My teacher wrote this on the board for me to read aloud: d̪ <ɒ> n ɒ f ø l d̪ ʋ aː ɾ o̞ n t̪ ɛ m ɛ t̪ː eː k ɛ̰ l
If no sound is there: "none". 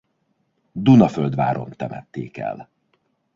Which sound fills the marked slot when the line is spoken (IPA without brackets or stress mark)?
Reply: u